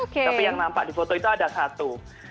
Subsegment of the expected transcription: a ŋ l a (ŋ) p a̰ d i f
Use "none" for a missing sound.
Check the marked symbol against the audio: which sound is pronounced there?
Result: m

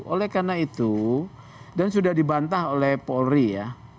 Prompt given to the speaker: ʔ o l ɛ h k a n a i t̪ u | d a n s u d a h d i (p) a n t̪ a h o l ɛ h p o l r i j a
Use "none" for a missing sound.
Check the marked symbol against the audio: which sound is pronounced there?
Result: b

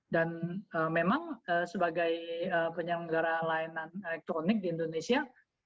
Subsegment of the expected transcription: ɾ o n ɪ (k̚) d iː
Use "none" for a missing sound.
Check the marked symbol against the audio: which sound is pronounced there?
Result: k̚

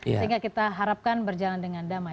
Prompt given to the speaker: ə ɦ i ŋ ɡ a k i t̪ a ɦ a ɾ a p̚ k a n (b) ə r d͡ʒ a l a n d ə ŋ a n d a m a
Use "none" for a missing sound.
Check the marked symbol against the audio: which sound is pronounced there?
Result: b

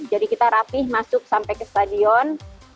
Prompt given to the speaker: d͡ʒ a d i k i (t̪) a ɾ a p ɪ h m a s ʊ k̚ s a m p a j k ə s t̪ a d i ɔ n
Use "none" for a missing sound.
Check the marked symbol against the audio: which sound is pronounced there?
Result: t̪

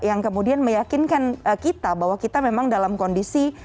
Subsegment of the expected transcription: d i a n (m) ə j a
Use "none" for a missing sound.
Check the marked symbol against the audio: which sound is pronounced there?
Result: m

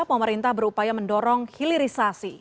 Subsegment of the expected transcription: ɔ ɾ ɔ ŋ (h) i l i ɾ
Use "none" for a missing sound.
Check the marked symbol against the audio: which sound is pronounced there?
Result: h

